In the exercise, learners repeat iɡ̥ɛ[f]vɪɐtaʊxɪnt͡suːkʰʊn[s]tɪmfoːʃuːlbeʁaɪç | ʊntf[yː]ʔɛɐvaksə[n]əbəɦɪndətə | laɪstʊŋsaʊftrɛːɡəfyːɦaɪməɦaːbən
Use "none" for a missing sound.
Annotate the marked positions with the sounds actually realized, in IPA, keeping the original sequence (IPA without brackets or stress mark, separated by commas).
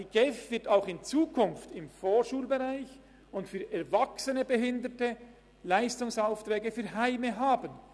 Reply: f, f, yː, n